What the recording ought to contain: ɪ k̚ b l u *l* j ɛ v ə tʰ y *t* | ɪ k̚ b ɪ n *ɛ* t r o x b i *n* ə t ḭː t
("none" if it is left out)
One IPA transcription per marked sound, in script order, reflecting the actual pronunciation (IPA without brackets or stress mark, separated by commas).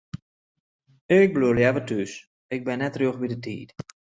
l, s, ɛ, d